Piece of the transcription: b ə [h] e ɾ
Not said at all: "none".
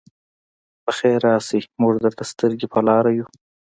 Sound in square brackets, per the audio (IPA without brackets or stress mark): x